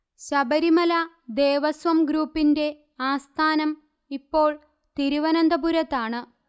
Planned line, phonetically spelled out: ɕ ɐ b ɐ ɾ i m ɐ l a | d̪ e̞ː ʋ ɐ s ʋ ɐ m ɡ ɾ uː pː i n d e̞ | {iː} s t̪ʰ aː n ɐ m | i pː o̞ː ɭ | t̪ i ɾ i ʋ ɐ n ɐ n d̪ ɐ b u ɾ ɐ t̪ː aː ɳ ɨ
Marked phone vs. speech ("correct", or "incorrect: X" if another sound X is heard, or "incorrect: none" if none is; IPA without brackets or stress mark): incorrect: aː